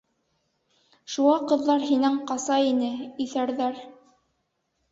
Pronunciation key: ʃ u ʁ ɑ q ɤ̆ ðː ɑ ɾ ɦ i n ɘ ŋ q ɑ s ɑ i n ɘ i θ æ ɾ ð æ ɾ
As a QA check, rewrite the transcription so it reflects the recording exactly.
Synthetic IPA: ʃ u ʁ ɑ q ɤ̆ ðː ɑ ɾ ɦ i n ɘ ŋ q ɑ s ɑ i n ɘ i θ æ ɾ ð æ ɾ